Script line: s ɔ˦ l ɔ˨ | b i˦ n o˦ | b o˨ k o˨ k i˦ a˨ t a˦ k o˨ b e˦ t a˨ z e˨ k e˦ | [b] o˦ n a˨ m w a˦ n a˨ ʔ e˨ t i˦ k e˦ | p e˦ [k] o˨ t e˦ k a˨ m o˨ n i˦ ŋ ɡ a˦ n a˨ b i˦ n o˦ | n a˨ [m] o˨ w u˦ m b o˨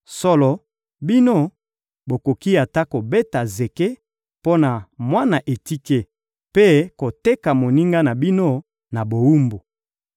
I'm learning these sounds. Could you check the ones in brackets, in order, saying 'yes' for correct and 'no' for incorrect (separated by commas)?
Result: no, yes, no